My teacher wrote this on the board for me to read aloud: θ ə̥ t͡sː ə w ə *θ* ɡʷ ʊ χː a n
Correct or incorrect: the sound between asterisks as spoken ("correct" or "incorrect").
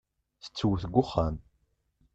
correct